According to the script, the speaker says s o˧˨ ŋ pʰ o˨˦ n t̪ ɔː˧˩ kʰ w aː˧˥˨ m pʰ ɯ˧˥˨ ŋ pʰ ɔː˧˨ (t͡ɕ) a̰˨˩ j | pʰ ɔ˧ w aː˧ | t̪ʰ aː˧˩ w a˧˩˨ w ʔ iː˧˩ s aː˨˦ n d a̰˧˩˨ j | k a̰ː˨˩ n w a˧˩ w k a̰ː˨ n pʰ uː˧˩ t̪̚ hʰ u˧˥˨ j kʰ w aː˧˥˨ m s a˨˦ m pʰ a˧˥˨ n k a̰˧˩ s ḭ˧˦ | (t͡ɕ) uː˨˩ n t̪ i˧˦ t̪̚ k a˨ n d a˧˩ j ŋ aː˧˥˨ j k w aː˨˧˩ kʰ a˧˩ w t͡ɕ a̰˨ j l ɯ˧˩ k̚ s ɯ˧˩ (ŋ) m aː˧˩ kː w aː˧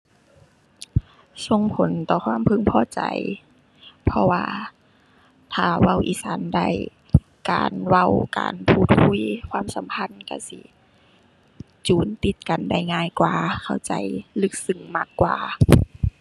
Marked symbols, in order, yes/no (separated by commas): yes, yes, yes